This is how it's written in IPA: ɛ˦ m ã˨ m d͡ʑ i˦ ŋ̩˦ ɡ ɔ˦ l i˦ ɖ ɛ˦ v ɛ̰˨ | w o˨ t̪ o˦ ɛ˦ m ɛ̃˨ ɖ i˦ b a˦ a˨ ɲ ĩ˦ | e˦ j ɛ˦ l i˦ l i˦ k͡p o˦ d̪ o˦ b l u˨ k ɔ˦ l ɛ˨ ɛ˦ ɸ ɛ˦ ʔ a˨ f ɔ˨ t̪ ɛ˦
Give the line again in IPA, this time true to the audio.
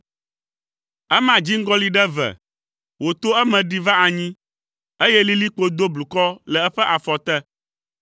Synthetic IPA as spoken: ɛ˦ m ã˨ d͡ʑ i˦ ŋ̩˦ ɡ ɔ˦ l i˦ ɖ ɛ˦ v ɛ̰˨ | w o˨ t̪ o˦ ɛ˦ m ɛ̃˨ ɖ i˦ v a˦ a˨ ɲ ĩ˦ | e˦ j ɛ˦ l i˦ l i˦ k͡p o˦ d̪ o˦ b l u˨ k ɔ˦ l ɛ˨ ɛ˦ ɸ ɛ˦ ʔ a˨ f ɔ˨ t̪ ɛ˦

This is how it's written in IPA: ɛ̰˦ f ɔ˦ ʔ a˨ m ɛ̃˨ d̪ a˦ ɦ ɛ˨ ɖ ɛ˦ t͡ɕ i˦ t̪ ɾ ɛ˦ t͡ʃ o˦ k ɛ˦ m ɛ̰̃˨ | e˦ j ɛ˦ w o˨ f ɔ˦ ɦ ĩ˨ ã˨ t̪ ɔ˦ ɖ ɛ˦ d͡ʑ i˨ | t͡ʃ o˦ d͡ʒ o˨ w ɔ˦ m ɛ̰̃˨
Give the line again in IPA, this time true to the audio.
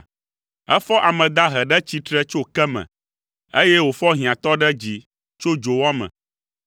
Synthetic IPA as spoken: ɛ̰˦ f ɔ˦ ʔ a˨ m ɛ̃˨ d̪ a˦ ɦ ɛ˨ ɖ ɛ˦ t͡ɕ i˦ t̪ ɾ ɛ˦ t͡ʃ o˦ k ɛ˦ m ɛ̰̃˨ | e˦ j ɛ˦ w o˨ f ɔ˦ ɦ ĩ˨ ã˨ t̪ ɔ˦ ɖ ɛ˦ d͡ʑ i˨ | t͡ʃ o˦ d͡ʒ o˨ w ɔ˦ m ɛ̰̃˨

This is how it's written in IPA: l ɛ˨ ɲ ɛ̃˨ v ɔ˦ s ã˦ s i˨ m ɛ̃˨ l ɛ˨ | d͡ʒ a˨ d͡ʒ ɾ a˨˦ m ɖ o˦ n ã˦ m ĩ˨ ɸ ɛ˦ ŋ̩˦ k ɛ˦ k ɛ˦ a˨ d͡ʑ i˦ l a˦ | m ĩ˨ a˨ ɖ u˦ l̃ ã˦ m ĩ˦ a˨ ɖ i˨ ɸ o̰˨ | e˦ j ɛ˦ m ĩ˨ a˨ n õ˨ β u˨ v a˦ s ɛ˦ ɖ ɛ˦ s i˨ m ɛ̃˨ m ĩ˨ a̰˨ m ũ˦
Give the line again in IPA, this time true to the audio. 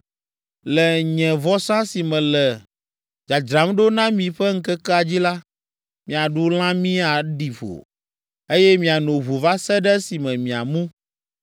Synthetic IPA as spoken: l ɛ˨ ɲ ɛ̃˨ v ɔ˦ s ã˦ s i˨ m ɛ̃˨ l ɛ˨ | d͡ʒ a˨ d͡ʒ ɾ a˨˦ m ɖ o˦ n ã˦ m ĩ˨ ɸ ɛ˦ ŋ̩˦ k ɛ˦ k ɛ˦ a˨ d͡ʑ i˦ l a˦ | m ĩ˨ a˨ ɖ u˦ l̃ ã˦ m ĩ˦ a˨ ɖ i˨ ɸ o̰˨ | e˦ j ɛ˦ m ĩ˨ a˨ n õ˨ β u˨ v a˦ s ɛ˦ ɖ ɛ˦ s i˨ m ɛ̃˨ m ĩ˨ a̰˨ m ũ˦

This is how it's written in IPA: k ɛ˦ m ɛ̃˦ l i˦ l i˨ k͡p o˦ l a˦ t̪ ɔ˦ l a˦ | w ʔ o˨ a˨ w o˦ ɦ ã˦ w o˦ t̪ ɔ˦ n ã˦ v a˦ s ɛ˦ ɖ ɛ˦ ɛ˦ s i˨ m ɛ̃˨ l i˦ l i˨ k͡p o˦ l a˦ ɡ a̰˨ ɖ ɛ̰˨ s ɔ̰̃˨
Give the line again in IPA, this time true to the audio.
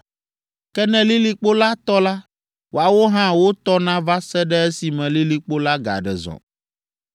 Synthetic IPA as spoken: k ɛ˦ n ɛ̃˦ l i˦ l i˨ k͡p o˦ l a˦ t̪ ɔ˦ l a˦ | w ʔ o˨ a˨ w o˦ ɦ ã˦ w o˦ t̪ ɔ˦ n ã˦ v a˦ s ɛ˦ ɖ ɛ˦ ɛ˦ s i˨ m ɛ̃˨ l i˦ l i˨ k͡p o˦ l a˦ ɡ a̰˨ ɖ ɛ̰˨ z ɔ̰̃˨

